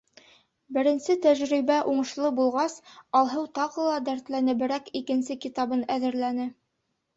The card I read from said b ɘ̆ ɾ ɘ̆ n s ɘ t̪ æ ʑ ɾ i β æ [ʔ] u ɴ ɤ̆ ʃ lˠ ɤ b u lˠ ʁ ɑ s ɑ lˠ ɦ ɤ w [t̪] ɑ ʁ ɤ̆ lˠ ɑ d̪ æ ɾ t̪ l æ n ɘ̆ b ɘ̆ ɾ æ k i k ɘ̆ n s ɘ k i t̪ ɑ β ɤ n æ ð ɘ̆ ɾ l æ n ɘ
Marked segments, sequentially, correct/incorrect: correct, correct

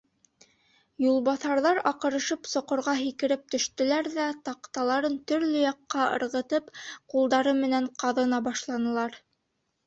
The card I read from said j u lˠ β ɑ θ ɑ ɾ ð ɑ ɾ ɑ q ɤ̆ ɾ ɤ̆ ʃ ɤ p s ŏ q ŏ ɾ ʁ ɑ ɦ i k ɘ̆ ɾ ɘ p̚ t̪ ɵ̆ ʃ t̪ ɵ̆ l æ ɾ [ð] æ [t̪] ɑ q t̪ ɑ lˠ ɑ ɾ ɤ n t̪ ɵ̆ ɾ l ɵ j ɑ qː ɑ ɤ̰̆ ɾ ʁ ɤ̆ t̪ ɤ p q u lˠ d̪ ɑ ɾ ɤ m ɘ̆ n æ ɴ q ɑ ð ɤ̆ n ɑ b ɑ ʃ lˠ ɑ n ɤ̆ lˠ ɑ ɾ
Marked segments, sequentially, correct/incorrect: correct, correct

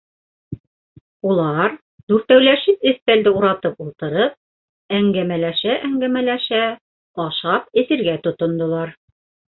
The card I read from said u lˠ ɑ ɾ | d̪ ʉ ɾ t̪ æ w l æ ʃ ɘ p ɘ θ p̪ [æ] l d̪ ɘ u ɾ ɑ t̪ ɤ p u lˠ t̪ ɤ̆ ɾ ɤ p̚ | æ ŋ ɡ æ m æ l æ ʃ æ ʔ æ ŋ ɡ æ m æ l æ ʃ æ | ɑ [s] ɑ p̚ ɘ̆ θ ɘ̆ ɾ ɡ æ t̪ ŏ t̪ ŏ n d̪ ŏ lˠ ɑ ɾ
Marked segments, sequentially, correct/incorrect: correct, incorrect: ʃ

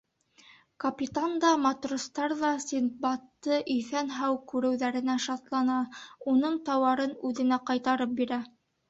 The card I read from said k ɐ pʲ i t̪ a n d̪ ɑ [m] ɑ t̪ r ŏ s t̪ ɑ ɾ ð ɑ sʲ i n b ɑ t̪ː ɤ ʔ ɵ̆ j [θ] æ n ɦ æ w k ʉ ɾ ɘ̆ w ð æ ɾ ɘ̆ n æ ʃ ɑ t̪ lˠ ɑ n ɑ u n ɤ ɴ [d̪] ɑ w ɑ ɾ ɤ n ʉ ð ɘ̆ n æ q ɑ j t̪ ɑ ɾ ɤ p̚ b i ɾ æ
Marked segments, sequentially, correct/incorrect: correct, correct, incorrect: t̪

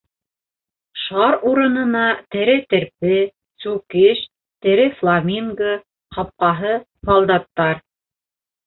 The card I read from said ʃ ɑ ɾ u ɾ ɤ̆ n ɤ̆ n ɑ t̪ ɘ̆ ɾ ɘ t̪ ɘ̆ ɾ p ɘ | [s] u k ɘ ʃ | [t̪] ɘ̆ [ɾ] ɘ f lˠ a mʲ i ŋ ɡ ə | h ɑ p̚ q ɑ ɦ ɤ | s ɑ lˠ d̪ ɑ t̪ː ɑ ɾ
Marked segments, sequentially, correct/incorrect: correct, correct, correct

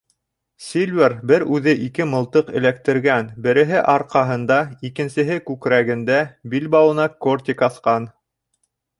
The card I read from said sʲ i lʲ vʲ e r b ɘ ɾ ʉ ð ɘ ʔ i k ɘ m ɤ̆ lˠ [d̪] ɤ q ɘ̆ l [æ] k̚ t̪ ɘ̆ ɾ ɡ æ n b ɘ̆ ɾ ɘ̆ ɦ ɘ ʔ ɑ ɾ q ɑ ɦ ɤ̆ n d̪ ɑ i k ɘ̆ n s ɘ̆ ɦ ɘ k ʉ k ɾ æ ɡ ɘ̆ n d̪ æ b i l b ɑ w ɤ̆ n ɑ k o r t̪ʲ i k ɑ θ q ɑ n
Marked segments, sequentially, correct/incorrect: incorrect: t̪, correct

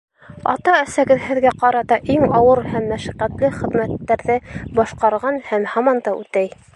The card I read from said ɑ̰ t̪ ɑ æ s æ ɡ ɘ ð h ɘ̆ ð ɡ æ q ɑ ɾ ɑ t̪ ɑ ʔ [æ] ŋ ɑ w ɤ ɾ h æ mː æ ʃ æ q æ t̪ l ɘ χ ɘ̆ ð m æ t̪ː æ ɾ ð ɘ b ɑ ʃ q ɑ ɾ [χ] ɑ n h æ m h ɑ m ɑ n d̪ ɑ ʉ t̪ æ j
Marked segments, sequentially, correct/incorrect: incorrect: i, incorrect: ʁ

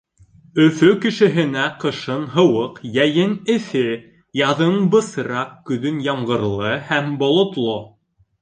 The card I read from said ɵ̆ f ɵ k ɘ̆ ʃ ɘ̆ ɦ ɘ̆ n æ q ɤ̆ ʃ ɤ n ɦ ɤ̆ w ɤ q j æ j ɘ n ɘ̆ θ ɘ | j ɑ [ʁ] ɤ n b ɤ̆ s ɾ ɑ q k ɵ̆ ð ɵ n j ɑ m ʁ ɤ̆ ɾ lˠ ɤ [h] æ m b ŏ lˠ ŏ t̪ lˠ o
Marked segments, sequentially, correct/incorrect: incorrect: ð, correct

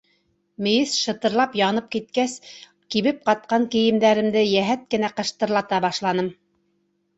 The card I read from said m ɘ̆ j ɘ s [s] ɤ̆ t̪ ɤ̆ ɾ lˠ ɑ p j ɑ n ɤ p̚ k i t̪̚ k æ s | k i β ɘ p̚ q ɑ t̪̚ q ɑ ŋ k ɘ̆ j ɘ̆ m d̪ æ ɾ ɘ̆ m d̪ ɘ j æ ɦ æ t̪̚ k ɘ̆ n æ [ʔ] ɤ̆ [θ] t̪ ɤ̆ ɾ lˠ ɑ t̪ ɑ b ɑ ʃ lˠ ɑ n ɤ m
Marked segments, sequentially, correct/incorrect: incorrect: ʃ, incorrect: q, incorrect: ʃ

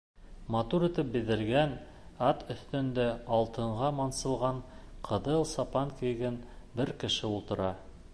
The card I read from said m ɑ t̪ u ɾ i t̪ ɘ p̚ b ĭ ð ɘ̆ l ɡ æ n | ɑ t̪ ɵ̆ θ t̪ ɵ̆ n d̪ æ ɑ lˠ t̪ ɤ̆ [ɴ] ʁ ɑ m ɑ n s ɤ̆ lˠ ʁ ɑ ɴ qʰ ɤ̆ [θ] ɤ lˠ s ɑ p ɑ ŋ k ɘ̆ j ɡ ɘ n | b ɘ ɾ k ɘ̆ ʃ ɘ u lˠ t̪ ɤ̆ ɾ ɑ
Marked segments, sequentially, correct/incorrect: correct, incorrect: ð

